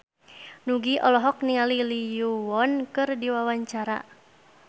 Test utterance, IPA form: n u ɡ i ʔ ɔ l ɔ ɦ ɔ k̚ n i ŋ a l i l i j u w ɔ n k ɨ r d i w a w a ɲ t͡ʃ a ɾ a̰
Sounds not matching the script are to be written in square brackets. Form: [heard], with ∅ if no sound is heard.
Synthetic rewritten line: n u ɡ i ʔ ɔ l ɔ ɦ ɔ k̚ n i ŋ a l i l i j u w ɔ n k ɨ r d i w a w a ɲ t͡ʃ a ɾ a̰